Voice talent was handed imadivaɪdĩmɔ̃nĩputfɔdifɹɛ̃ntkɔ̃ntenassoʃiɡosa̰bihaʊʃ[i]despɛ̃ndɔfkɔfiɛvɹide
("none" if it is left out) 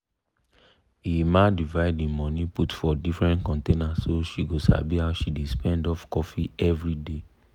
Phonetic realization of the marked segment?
i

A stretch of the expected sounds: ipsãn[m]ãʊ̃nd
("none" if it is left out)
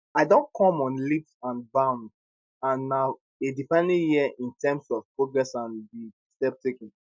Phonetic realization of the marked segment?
b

